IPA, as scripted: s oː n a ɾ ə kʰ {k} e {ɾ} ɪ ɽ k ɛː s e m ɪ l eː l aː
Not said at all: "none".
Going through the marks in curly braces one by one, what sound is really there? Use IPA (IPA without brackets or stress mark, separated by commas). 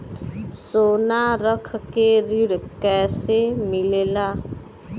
k, ɾ